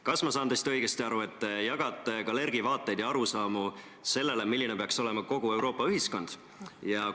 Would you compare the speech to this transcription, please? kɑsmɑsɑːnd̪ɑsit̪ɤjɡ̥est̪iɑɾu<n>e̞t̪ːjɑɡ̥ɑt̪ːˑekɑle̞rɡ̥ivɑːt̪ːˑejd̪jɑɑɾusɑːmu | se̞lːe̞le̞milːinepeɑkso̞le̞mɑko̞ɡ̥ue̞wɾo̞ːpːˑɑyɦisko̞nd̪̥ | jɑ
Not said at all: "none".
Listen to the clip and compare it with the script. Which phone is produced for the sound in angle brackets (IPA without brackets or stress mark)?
none